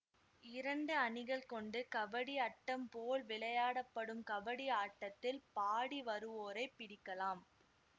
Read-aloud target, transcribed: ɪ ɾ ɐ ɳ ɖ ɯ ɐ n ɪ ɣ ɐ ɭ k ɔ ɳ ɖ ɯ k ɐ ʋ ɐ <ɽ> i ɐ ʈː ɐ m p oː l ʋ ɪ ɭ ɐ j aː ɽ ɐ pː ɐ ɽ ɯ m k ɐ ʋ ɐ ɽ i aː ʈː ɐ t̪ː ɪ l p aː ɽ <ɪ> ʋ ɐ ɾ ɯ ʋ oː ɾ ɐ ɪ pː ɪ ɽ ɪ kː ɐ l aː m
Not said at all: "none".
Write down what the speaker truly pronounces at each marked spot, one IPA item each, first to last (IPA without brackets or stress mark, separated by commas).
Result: ɽ, i